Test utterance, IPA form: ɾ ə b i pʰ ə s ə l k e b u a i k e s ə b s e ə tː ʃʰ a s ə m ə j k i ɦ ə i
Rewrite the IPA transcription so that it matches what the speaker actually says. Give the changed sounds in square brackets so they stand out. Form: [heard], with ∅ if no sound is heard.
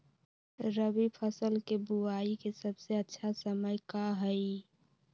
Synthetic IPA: ɾ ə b i pʰ ə s ə l k e b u a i k e s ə b s e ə tː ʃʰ a s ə m ə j k [a] ɦ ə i